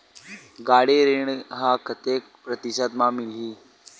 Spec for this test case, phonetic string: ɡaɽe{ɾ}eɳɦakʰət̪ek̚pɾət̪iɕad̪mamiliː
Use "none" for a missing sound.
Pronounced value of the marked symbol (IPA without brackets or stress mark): ɾ